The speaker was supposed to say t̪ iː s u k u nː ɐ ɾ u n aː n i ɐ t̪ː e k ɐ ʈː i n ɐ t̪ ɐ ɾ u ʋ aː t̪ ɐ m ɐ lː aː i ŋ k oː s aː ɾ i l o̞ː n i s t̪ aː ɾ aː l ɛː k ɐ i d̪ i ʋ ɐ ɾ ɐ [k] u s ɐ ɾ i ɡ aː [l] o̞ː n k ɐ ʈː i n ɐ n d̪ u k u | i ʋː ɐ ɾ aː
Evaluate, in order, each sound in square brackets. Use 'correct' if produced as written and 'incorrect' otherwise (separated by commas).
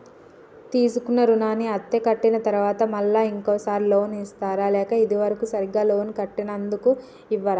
correct, correct